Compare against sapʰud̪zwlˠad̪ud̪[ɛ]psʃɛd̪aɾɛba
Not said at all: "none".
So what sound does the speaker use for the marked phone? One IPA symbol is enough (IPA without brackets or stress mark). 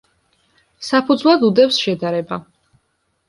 ɛ